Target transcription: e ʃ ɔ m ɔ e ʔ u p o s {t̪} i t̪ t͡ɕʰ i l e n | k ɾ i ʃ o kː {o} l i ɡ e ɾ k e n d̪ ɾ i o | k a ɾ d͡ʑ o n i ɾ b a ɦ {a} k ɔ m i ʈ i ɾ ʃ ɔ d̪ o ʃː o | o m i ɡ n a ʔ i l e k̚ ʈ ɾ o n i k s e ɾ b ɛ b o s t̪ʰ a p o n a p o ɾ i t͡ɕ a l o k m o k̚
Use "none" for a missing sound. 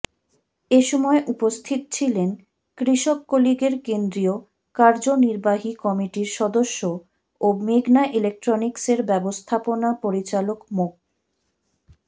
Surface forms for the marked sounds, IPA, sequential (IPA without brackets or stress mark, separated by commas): t̪ʰ, o, i